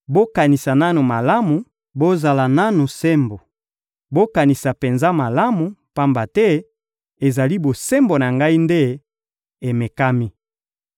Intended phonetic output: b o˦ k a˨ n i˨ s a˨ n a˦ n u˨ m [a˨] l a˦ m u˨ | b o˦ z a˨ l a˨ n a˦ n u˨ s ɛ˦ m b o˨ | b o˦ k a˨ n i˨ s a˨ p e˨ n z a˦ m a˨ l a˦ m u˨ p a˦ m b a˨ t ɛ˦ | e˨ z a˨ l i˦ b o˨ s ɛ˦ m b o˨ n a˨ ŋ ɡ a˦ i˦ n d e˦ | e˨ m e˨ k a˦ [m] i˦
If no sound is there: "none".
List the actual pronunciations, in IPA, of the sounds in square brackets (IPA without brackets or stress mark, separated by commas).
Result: a˨, m